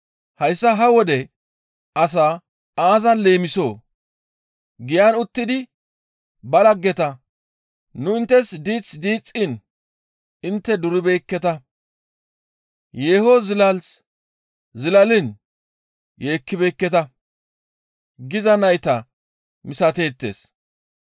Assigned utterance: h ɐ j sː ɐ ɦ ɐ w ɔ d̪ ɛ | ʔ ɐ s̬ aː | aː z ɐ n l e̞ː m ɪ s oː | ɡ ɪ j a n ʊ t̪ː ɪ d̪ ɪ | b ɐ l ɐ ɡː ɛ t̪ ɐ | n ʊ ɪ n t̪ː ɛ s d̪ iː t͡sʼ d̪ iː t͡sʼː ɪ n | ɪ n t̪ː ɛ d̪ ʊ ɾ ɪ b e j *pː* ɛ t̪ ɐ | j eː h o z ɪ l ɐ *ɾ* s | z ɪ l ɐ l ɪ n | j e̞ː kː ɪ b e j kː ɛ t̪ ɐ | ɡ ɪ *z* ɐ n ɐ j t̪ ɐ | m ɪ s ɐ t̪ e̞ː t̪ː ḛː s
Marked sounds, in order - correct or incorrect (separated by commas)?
incorrect, incorrect, correct